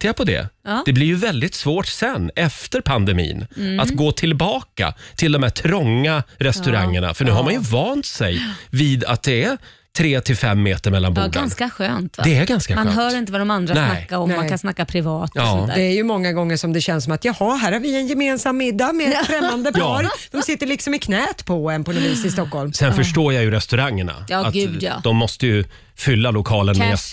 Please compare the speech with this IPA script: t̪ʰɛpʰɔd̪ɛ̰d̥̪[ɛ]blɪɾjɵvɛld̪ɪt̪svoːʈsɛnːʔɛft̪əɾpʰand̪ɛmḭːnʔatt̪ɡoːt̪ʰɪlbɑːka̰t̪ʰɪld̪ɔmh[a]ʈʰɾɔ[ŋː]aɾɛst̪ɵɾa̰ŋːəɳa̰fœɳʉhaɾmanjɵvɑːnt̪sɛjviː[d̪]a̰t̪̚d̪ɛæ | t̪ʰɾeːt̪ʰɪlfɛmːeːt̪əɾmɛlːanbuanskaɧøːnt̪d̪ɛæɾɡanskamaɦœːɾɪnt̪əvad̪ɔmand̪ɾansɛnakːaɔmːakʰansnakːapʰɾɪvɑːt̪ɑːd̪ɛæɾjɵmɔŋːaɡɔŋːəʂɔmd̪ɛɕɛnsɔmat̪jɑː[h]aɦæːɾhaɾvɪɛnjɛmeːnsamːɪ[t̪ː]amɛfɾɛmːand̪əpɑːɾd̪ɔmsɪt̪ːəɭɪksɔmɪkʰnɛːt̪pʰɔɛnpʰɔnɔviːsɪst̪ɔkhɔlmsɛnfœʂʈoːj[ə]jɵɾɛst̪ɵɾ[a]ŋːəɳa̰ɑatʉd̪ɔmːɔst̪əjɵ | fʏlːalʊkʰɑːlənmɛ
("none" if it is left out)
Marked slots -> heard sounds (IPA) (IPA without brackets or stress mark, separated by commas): ɛ, æ, ŋː, d̪, h, d̪ː, a, a